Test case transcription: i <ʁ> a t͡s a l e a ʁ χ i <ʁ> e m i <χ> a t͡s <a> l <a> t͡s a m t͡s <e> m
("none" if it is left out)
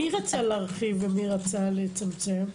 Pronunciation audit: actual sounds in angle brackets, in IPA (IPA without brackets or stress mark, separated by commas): ʁ, v, ʁ, a, e, e